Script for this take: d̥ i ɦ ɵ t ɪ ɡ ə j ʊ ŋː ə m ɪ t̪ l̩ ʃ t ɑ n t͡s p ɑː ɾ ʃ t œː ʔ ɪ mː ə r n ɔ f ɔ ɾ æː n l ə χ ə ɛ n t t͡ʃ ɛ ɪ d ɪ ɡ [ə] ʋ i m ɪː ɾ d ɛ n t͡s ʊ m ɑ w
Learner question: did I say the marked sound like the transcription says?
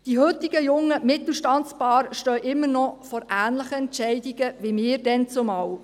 yes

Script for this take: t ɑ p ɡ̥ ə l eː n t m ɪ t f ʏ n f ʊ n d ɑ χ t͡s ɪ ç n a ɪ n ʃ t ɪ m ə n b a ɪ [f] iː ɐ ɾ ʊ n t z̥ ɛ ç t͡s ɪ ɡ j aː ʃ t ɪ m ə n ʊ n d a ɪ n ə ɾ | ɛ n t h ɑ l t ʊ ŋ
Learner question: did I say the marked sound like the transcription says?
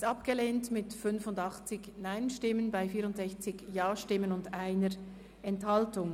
yes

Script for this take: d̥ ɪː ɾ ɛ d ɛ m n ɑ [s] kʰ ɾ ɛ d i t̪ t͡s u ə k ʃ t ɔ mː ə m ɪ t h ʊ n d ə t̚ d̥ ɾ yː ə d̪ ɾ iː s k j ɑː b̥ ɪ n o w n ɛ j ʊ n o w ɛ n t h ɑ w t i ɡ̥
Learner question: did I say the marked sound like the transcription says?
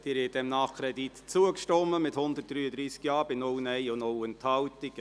no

